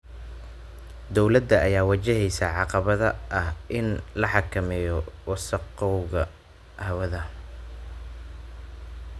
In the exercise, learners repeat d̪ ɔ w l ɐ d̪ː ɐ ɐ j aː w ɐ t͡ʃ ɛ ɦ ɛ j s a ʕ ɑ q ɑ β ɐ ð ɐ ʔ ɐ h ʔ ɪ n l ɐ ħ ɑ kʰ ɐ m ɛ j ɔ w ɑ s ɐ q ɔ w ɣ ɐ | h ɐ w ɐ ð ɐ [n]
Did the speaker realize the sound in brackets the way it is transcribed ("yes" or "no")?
no